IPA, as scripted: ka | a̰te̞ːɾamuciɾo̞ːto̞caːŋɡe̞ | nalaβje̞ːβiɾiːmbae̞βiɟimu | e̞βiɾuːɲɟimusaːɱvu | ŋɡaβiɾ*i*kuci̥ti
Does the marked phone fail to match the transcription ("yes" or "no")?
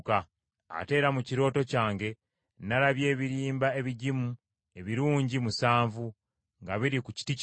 no